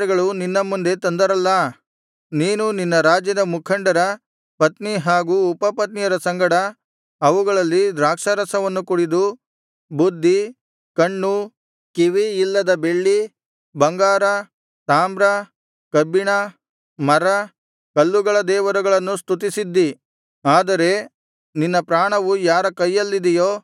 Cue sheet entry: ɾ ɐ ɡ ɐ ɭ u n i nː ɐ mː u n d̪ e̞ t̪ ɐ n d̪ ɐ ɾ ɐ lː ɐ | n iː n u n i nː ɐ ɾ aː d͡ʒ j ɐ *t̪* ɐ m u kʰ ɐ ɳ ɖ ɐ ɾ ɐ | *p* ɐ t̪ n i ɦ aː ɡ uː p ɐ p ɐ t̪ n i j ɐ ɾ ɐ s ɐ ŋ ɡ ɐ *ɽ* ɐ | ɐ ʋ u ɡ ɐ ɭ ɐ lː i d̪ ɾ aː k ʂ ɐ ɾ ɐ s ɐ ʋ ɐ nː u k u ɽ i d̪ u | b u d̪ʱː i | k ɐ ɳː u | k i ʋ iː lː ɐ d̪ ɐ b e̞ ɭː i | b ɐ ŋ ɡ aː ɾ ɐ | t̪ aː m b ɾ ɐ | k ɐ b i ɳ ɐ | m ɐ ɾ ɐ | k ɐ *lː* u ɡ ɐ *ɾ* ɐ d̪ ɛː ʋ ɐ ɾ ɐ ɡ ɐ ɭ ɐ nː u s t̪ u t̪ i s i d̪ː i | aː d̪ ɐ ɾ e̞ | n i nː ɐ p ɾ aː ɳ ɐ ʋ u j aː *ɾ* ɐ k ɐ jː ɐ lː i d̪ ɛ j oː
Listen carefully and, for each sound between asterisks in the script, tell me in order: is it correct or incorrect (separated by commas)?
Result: incorrect, correct, correct, correct, incorrect, correct